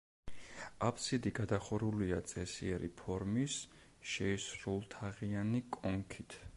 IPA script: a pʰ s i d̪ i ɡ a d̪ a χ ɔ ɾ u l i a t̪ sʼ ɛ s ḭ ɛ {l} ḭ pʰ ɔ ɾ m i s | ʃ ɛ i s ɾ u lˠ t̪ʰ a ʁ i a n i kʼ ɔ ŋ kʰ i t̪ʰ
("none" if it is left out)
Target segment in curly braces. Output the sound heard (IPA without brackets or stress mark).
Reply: ɾ